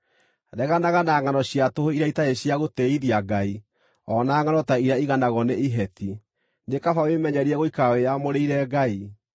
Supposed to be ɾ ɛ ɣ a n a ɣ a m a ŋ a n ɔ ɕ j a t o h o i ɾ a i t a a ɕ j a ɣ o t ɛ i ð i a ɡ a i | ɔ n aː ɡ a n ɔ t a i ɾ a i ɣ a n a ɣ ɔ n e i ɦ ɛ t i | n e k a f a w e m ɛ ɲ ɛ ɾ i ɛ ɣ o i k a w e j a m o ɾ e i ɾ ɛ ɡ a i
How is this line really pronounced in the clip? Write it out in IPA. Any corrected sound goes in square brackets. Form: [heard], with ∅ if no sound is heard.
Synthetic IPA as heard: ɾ ɛ ɣ a n a ɣ a [n] a ŋ a n ɔ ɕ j a t o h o i ɾ a i t a [e] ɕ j a ɣ o t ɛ i ð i a ɡ a i | ɔ n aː [ŋ] a n ɔ t a i ɾ a i ɣ a n a ɣ ɔ n e i ɦ ɛ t i | n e k a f a w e m ɛ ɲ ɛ ɾ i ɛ ɣ o i k a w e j a m o ɾ e i ɾ ɛ ɡ a i

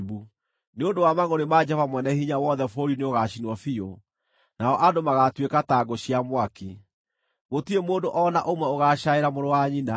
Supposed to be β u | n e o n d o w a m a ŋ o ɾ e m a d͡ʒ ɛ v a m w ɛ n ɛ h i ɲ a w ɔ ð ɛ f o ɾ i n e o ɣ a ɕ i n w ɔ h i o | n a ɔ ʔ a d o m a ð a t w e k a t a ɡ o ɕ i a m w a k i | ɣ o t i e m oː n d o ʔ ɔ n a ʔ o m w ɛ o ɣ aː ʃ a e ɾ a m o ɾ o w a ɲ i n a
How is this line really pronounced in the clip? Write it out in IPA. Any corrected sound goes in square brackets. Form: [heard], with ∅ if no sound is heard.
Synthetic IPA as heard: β u | n e o n d o w a m a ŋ o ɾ e m a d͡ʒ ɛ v a m w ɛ n ɛ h i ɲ a w ɔ ð ɛ f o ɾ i n e o ɣ a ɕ i n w ɔ [f] i o | n a ɔ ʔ a d o m a [ɣ] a t w e k a t a ɡ o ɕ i a m w a k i | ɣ o t i e m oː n d o ʔ ɔ n a ʔ o m w ɛ o ɣ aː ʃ a e ɾ a m o ɾ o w a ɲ i n a

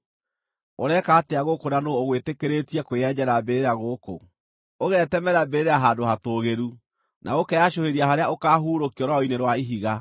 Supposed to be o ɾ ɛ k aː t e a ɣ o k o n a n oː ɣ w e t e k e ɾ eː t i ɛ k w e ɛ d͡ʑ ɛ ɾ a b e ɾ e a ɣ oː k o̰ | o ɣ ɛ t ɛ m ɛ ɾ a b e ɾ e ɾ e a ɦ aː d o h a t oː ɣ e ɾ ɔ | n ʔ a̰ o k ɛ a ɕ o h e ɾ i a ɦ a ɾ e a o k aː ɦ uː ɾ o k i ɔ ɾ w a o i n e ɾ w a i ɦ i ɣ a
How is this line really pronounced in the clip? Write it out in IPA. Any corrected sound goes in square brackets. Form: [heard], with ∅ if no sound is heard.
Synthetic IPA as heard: o ɾ ɛ k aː t e a ɣ o k o n a n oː ɣ w e t e k e ɾ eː t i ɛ k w e ɛ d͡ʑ ɛ ɾ a b e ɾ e a ɣ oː k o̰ | o ɣ ɛ t ɛ m ɛ ɾ a b e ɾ e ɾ e a ɦ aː d o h a t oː ɣ e ɾ [u] | n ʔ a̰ o k ɛ a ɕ o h e ɾ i a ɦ a ɾ e a o k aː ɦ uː ɾ o k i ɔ ɾ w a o i n e ɾ w a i ɦ i ɣ a

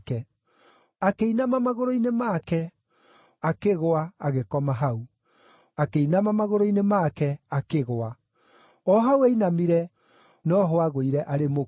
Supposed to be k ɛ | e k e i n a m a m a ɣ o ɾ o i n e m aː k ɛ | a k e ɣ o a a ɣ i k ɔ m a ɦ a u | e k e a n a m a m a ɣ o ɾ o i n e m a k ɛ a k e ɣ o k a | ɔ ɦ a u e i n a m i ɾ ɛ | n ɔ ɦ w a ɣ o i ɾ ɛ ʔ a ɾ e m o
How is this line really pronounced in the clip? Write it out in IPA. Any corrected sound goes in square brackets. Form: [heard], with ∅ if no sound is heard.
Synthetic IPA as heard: k ɛ | [a] k e i n a m a m a ɣ o ɾ o i n e m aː k ɛ | a k e ɣ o a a ɣ [e] k ɔ m a ɦ a u | [a] k e [i] n a m a m a ɣ o ɾ o i n e m a k ɛ a k e ɣ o [∅] a | ɔ ɦ a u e i n a m i ɾ ɛ | n ɔ ɦ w a ɣ o i ɾ ɛ ʔ a ɾ e m o

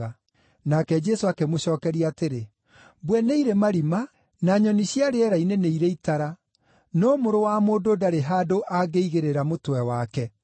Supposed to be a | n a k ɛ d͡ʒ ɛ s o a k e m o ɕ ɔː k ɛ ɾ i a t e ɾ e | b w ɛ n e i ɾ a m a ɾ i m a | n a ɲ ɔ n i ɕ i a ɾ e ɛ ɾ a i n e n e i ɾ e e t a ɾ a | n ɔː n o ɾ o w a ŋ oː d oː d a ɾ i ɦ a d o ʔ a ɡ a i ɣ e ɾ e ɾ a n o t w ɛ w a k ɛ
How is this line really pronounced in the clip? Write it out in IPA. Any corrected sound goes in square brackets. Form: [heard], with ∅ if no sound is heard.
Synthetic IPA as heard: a | n a k ɛ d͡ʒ ɛ s o a k e m o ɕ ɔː k ɛ ɾ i a t e ɾ e | b w ɛ n e i ɾ [e] m a ɾ i m a | n a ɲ ɔ n i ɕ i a ɾ e ɛ ɾ a i n e n e i ɾ e [i] t a ɾ a | n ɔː [m] o ɾ o w a [m] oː d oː d a ɾ [e] ɦ a d o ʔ a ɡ [e] i ɣ e ɾ e ɾ a [m] o t w ɛ w a k ɛ

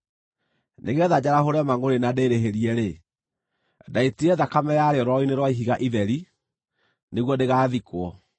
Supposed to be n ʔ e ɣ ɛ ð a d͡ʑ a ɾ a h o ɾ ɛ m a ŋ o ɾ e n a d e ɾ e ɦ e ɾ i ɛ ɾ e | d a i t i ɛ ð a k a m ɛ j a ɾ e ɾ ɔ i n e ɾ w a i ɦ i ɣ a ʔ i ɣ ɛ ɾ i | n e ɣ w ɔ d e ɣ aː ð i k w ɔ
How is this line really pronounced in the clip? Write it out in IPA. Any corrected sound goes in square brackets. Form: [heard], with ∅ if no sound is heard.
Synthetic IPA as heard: n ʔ e ɣ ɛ ð a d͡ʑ a ɾ a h o ɾ ɛ m a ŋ o ɾ e n a d e ɾ e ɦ e ɾ i ɛ ɾ e | d a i t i ɛ ð a k a m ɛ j a ɾ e ɾ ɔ i n e ɾ w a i ɦ i ɣ a ʔ i [ð] ɛ ɾ i | n e ɣ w ɔ d e ɣ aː ð i k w ɔ

